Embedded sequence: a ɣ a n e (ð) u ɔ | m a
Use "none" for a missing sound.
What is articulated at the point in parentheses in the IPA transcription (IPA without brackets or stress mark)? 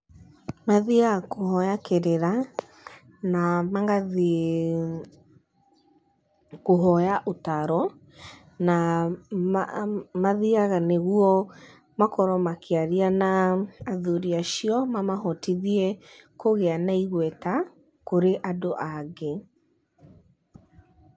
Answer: ɣ